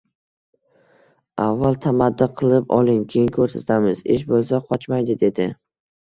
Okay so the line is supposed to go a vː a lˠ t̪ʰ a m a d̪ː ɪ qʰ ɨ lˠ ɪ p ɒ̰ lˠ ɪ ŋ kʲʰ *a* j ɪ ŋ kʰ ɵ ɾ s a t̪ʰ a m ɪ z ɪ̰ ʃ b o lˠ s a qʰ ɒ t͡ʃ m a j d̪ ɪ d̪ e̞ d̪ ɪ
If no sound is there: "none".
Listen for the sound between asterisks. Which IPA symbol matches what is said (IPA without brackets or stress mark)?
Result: e